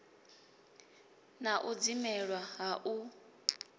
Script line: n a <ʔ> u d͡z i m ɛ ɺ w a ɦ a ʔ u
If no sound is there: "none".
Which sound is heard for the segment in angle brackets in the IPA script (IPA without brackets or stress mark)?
ʔ